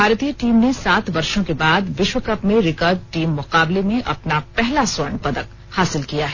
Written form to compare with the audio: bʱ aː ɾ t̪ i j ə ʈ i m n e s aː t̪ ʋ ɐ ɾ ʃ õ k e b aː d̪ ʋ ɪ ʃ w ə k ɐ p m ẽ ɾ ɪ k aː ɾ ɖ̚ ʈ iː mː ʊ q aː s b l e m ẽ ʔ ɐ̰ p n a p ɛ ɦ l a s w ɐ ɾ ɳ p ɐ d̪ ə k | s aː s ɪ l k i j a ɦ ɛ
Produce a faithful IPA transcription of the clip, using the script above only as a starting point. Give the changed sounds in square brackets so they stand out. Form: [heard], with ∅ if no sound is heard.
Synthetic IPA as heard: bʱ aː ɾ t̪ i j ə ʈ [iː] m n e s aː t̪ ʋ ɐ ɾ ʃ õ k e b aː d̪ ʋ ɪ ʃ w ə k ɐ p m ẽ ɾ ɪ k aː ɾ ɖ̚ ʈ iː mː ʊ q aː [∅] b l e m ẽ ʔ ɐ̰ p n a p ɛ ɦ l a s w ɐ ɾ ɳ p ɐ d̪ ə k | [h] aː s ɪ l k i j a ɦ ɛ